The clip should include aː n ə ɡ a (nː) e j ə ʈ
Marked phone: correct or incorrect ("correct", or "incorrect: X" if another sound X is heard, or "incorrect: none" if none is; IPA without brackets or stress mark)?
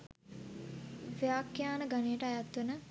incorrect: n